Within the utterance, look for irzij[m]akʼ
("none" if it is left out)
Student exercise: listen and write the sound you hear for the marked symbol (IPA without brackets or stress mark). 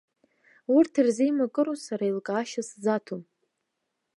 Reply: m